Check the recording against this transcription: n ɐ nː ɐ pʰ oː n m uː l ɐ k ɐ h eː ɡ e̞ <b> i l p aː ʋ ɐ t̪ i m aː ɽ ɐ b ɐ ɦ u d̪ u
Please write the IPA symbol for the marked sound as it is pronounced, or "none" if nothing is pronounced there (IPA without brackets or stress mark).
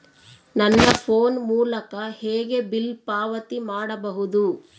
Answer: b